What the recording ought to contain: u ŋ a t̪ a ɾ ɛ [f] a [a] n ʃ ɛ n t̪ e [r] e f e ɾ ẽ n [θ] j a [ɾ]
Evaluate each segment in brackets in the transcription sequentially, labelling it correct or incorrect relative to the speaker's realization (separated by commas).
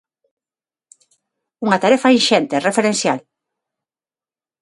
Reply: correct, incorrect, correct, incorrect, incorrect